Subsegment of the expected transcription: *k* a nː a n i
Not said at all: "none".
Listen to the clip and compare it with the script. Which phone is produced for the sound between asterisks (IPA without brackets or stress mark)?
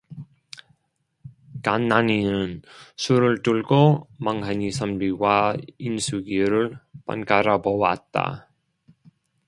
k